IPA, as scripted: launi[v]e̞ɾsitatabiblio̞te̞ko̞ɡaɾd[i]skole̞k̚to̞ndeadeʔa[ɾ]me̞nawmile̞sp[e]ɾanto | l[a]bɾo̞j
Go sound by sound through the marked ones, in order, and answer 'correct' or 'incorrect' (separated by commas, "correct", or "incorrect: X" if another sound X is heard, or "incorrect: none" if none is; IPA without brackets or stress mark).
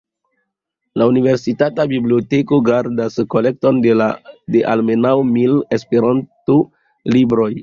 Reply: correct, incorrect: a, incorrect: l, correct, incorrect: i